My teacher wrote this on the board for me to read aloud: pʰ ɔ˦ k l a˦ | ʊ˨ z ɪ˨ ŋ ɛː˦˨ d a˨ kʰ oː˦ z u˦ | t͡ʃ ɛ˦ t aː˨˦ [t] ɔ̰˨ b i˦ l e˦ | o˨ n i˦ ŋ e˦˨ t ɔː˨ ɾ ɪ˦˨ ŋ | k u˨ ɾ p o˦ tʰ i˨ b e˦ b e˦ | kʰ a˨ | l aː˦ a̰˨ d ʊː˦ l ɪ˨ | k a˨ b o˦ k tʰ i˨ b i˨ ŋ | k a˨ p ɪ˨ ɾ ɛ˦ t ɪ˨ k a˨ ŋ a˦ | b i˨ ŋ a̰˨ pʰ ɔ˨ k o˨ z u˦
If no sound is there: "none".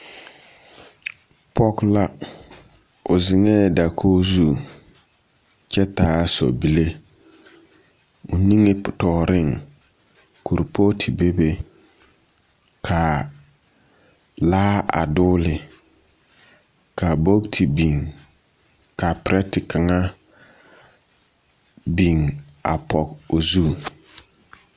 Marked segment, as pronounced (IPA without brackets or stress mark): s